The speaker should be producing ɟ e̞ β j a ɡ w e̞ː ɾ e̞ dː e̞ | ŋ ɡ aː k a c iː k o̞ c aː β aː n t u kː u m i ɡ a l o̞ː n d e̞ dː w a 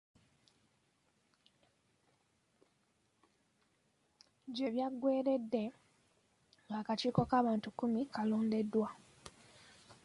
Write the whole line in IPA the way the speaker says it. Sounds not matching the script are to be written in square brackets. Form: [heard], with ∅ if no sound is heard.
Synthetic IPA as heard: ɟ e̞ β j a ɡ w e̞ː ɾ e̞ dː e̞ | ŋ ɡ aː k a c iː k o̞ [k] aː β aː n t u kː u m i [k] a l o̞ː n d e̞ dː w a